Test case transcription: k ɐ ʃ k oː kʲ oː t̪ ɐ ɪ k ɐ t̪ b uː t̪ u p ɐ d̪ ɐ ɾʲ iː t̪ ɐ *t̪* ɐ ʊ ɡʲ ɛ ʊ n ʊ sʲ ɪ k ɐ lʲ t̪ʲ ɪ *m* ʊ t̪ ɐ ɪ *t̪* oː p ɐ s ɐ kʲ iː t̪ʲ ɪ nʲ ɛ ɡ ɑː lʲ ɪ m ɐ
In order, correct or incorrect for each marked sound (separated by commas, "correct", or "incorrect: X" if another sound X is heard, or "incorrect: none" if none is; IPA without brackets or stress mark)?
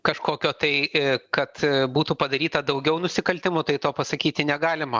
incorrect: d̪, correct, correct